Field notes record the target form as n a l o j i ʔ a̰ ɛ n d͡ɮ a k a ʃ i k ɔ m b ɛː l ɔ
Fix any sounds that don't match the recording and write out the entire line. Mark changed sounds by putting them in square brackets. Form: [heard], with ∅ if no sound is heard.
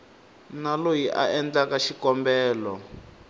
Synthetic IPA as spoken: n a l o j i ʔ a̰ ɛ n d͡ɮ a k a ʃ i k ɔ m b ɛː l ɔ